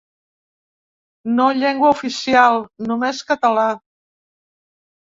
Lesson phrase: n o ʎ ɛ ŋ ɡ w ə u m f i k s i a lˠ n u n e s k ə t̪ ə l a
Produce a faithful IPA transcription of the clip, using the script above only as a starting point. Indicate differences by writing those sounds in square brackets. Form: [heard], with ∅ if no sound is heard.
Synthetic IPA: n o ʎ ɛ ŋ ɡ w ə u [∅] f i [∅] s i a lˠ n u [m] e s k ə t̪ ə l a